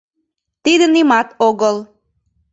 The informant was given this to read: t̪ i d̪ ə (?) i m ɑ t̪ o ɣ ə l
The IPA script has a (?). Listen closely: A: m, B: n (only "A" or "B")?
B